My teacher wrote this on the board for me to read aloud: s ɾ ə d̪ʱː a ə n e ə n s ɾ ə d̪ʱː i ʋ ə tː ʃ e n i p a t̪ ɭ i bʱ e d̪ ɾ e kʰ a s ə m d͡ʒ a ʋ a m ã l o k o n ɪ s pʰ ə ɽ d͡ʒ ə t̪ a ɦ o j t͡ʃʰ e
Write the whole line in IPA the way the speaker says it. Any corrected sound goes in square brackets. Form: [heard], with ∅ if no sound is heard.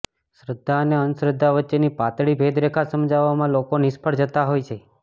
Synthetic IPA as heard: s ɾ ə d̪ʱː a ə n e ə n s ɾ ə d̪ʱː [a] ʋ ə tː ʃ e n i p a t̪ ɭ i bʱ e d̪ ɾ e kʰ a s ə m d͡ʒ a ʋ a m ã l o k o n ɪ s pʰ ə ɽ d͡ʒ ə t̪ a ɦ o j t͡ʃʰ e